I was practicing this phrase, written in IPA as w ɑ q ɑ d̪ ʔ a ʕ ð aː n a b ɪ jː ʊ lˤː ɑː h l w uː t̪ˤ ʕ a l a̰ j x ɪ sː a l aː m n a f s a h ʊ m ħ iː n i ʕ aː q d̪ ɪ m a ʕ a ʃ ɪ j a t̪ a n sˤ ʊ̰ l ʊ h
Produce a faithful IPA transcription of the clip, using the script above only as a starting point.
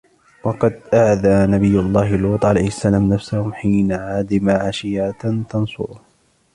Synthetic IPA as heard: w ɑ q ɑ d̪ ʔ a ʕ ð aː n a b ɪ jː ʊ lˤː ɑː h l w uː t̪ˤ ʕ a l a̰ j h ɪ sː a l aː m n a f s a h ʊ m ħ iː n a ʕ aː d̪ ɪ m a ʕ a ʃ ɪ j a t̪ ɑ n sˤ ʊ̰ ɾ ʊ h